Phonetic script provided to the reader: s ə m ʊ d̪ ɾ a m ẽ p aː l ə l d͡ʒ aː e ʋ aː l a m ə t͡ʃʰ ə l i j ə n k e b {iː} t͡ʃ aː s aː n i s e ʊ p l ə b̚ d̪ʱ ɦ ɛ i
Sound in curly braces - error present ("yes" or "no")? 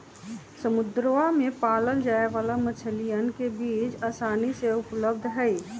no